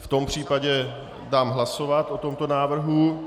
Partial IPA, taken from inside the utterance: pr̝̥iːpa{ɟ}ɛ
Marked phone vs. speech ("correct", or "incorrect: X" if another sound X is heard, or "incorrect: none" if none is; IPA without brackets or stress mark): correct